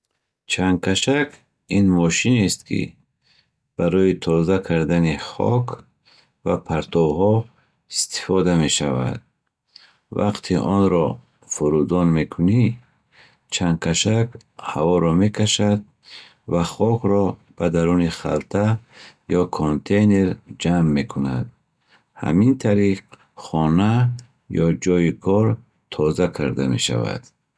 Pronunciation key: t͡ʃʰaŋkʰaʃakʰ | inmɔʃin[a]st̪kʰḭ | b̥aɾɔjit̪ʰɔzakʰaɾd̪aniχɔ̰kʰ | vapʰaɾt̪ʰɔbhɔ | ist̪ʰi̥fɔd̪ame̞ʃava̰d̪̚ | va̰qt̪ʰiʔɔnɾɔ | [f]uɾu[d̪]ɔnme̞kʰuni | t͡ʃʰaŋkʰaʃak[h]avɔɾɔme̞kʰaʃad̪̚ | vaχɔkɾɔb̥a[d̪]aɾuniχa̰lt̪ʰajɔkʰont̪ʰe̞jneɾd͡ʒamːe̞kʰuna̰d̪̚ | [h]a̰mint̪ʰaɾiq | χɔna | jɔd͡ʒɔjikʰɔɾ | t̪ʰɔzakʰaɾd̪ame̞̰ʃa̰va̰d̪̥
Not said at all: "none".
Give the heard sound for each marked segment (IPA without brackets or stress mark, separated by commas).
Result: e, f, d̪, h, d̪, h